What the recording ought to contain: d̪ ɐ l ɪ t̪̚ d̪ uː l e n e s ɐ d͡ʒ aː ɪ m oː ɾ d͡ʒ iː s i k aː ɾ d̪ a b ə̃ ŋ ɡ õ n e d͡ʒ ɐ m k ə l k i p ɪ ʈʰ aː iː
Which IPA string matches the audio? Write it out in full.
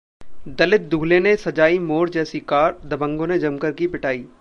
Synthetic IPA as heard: d̪ ɐ l ɪ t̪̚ d̪ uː l e n e s ɐ d͡ʒ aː i m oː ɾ d͡ʒ ɛː s i k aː ɾ d̪ ɐ b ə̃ ŋ ɡ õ n e d͡ʒ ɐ m k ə ɾ k i p ɪ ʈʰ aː iː